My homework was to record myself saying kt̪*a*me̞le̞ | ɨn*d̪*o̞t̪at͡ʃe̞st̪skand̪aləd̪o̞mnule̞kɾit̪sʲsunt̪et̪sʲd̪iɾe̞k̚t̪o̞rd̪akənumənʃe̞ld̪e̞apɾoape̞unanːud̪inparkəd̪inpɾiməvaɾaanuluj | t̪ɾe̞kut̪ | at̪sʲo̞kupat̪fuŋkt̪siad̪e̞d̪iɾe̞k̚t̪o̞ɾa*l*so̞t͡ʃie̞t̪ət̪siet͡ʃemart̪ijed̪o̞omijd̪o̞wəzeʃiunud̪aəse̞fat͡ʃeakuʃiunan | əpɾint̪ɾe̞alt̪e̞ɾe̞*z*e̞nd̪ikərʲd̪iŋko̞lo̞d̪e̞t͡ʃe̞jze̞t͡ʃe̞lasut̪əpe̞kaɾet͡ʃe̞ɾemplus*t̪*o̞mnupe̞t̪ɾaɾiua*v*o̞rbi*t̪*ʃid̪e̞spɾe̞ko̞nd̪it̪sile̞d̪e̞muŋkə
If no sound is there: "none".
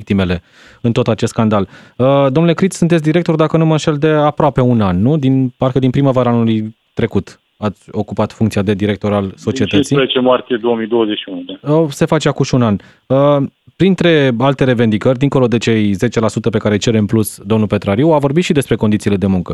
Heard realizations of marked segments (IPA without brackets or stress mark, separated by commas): i, t̪, l, v, d̪, v, t̪